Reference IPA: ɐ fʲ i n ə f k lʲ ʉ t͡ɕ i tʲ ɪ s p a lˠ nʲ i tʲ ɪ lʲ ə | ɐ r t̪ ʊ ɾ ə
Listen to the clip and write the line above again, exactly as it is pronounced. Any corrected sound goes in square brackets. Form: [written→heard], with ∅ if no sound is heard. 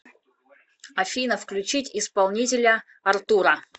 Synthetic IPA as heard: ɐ fʲ i n ə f k lʲ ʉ t͡ɕ i tʲ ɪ s p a lˠ nʲ i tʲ ɪ lʲ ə | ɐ r t̪ [ʊ→u] ɾ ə